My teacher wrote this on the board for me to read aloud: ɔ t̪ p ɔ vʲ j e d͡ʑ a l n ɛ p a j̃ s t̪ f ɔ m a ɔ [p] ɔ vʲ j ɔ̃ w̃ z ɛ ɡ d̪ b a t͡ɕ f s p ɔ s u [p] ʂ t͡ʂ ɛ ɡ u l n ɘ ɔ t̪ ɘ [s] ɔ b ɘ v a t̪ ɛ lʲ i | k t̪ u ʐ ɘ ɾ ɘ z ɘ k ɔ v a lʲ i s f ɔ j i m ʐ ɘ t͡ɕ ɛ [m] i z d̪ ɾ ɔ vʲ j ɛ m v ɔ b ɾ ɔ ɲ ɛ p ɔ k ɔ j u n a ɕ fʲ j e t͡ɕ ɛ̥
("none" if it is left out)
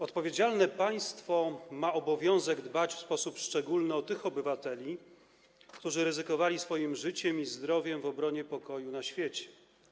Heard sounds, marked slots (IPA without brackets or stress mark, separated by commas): b, p, x, m